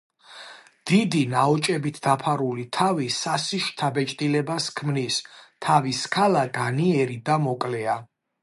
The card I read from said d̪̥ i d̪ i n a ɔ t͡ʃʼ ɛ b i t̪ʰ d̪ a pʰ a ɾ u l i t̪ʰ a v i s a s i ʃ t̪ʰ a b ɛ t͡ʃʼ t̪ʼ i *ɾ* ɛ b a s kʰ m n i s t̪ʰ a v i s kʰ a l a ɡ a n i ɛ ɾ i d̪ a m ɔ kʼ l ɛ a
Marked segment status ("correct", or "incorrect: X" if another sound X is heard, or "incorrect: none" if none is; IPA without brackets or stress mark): incorrect: l